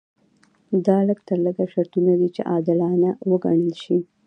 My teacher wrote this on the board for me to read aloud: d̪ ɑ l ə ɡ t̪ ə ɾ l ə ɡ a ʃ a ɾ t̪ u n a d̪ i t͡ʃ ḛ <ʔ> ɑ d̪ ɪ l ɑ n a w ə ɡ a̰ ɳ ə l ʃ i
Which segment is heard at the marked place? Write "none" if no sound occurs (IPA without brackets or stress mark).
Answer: ʔ